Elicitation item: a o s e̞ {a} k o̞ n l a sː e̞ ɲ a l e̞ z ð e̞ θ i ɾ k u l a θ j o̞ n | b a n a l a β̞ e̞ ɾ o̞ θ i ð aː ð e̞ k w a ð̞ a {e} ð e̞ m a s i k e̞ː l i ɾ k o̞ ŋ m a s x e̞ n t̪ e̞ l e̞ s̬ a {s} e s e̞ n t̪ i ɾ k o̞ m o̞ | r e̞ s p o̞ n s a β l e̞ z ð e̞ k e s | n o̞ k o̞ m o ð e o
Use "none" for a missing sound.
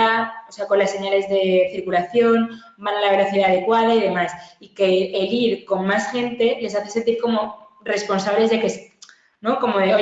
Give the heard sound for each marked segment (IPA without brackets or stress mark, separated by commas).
a, i, θ